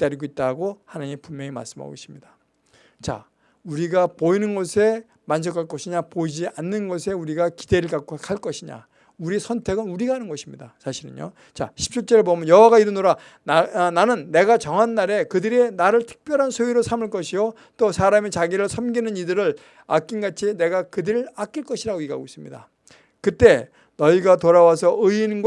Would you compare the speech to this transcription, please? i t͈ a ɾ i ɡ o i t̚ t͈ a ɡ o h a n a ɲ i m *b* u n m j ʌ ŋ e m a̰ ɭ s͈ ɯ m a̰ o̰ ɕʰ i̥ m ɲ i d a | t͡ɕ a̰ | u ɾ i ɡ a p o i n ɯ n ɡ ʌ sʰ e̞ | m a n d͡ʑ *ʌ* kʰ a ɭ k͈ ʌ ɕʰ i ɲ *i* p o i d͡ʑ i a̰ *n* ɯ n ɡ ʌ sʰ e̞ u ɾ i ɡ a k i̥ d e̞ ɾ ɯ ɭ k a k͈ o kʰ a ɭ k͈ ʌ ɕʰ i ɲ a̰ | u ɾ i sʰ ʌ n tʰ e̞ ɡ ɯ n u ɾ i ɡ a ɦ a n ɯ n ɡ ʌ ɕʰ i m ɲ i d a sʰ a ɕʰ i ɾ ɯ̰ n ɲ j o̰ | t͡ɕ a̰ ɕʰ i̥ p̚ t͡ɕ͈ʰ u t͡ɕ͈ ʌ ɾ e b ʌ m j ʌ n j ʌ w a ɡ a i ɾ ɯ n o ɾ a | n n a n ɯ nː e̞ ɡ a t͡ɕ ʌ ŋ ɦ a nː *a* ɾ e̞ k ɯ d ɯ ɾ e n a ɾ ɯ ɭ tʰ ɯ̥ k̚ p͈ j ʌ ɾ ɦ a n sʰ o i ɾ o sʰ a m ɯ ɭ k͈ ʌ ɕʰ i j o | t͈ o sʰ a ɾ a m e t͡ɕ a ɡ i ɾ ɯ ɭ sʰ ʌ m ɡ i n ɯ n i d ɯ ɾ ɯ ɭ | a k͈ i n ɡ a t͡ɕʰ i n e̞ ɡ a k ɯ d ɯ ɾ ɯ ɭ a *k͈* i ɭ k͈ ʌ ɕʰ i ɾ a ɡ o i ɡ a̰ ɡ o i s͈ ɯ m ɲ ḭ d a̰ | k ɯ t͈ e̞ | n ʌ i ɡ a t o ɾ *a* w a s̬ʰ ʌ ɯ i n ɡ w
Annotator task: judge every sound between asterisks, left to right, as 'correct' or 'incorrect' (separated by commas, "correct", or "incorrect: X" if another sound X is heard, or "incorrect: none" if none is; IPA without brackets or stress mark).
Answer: incorrect: p, correct, incorrect: a, incorrect: nː, correct, correct, correct